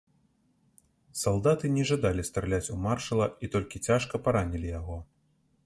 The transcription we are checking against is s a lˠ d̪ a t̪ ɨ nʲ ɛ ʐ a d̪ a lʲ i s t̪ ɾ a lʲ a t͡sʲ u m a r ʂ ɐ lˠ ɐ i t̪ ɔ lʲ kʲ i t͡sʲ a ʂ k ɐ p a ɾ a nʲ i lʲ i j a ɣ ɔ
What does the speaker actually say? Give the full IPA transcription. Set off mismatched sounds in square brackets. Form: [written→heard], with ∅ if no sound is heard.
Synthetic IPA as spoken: s a lˠ d̪ a t̪ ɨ nʲ ɛ ʐ a d̪ a lʲ i s t̪ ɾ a lʲ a t͡sʲ u m a r ʂ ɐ lˠ ɐ i t̪ ɔ lʲ kʲ i t͡sʲ a ʂ k ɐ p a ɾ a nʲ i lʲ i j a ɣ ɔ